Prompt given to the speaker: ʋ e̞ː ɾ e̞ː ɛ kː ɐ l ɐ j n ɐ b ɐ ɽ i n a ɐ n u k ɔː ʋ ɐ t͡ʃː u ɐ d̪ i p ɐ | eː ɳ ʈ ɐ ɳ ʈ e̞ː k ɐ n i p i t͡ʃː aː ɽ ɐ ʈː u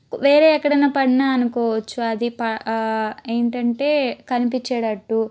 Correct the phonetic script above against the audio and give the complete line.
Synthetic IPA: ʋ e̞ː ɾ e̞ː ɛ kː ɐ ɽ ɐ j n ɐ p ɐ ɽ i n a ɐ n u k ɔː ʋ ɐ t͡ʃː u ɐ d̪ i p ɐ | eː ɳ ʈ ɐ ɳ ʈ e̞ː k ɐ n i p i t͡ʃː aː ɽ ɐ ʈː u